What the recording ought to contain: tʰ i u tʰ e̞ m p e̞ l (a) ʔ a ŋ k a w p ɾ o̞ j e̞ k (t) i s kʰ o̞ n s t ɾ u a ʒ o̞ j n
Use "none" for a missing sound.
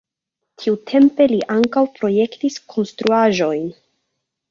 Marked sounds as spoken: i, t

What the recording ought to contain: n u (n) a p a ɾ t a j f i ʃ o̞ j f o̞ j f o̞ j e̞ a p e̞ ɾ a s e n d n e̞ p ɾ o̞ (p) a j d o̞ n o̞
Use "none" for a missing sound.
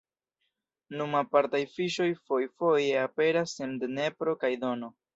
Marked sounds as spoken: m, k

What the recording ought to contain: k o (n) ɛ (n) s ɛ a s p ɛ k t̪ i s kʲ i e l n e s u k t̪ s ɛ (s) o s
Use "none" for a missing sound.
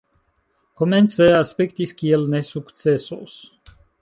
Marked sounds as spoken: m, n, s

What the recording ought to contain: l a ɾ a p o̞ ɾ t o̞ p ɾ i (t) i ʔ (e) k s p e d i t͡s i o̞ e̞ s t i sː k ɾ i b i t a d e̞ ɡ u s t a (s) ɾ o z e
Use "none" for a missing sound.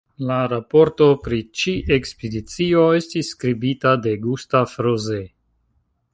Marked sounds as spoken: t͡ʃ, e, f

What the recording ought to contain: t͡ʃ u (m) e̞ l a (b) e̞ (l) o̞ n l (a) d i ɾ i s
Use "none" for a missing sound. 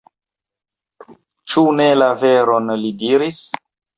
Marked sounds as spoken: n, v, ɾ, i

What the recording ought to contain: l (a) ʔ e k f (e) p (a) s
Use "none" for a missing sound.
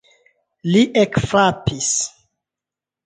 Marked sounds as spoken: i, a, i

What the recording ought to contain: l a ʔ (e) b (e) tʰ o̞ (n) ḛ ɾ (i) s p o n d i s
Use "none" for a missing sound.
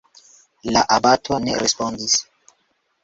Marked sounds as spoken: a, a, n, e

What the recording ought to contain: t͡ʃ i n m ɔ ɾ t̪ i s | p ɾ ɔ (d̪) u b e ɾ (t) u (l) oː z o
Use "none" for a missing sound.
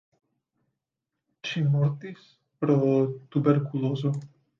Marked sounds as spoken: t̪, k, l

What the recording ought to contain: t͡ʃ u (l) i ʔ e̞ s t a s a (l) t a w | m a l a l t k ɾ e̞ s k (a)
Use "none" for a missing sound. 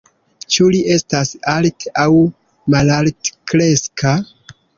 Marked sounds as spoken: l, l, a

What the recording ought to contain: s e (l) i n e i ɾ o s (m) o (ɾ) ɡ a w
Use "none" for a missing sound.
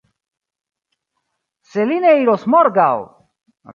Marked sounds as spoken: l, m, ɾ

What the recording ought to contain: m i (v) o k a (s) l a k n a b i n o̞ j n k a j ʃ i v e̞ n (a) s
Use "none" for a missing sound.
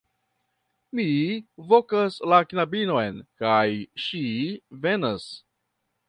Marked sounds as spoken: v, s, a

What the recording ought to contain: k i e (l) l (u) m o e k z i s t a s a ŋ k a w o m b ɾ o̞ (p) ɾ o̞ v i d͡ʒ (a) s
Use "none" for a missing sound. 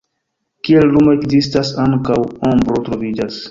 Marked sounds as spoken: l, u, t, a

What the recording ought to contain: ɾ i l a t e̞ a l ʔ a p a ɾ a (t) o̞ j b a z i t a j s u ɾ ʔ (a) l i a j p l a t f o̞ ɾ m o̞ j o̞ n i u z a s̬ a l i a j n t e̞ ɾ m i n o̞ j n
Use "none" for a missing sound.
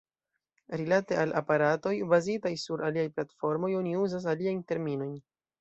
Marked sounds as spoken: t, a

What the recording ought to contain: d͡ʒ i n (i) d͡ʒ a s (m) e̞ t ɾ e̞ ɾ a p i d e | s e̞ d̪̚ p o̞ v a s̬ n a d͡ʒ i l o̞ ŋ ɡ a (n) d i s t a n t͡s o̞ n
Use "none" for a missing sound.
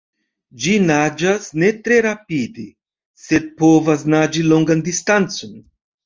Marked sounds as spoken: a, n, n

